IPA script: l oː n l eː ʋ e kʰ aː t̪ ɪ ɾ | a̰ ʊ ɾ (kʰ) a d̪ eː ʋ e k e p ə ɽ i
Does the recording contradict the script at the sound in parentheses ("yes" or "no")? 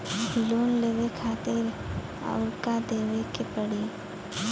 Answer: yes